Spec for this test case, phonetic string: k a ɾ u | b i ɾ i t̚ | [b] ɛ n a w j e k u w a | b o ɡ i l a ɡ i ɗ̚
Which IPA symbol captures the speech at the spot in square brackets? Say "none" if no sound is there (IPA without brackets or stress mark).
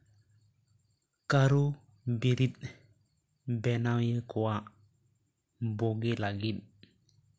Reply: b